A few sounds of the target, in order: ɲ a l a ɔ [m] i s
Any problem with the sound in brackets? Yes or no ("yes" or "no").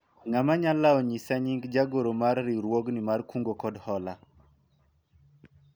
yes